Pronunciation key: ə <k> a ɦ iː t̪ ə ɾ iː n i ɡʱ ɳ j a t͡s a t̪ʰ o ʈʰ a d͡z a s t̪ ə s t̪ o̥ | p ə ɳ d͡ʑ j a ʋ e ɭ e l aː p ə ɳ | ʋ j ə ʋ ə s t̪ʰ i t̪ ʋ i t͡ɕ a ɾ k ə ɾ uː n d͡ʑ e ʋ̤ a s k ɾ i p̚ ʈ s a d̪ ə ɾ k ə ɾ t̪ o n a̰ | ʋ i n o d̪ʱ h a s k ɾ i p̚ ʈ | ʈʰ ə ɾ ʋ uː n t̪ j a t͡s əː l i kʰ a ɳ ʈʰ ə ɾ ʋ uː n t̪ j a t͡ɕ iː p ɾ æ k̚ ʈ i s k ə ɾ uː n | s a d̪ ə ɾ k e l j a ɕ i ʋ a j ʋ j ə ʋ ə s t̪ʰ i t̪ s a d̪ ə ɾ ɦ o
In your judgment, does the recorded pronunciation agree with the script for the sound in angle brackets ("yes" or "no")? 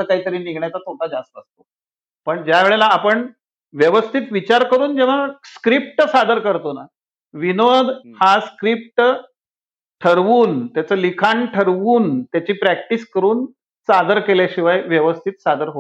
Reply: yes